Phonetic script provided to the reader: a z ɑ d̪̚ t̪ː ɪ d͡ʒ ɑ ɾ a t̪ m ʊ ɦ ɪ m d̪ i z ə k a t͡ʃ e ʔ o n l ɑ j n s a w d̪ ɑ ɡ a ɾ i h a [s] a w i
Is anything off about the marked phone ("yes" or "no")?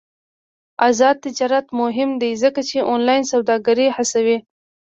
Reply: no